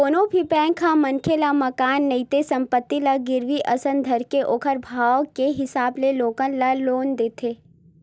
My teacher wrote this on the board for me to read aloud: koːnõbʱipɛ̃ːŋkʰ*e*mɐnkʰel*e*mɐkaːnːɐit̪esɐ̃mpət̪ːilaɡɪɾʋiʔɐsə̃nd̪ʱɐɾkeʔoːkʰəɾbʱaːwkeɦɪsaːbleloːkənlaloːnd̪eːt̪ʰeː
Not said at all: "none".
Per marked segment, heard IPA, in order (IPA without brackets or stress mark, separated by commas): a, a